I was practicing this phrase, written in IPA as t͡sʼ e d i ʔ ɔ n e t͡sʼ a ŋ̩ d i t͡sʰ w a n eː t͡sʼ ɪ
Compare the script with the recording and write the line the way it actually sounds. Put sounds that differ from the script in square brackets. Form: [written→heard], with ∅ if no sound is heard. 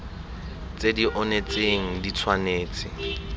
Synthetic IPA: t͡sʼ e d i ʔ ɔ n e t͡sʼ [a→e] ŋ̩ d i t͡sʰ w a n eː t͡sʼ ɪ